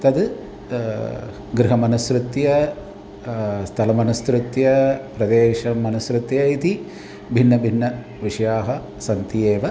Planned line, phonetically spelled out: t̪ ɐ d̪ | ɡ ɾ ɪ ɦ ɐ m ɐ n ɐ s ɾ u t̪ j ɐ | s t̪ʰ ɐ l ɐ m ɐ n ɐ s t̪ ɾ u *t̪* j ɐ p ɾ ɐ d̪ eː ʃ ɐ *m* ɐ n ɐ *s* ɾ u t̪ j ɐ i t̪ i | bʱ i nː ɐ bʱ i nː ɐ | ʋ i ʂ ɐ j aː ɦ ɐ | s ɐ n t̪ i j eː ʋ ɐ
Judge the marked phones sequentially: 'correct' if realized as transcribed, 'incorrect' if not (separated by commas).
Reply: correct, correct, correct